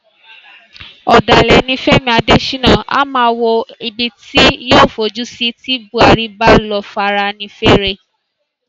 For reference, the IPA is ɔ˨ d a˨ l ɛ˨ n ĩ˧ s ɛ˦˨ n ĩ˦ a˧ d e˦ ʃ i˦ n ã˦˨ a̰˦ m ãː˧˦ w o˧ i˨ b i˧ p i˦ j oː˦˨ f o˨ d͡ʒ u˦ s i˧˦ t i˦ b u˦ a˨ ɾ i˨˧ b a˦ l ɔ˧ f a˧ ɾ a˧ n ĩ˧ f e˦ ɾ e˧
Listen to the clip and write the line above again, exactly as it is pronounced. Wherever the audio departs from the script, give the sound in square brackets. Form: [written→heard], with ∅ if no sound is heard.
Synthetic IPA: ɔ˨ d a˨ l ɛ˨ n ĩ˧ [s→f] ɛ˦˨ [n→m] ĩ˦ a˧ d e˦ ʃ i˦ n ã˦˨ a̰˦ m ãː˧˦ w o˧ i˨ b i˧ [p→t] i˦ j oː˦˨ f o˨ d͡ʒ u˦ s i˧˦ t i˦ b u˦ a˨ ɾ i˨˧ b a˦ l ɔ˧ f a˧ ɾ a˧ n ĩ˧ f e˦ ɾ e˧